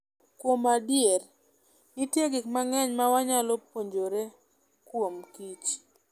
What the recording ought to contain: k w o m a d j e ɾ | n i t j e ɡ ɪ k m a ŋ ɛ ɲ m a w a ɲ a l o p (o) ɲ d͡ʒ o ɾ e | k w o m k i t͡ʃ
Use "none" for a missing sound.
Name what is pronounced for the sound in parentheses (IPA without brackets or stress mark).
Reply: o